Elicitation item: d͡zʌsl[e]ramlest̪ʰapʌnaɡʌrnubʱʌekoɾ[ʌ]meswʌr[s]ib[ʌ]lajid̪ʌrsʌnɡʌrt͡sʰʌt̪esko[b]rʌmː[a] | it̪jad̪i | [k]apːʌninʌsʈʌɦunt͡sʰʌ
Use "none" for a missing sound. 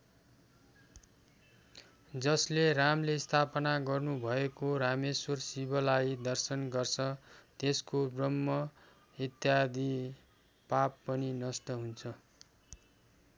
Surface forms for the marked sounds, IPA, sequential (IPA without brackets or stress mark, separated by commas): e, a, s, ʌ, b, ʌ, p